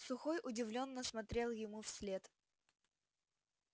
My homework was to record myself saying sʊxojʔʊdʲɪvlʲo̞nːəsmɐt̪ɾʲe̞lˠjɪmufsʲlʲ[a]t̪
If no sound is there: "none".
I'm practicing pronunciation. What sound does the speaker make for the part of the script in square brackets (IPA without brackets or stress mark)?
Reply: e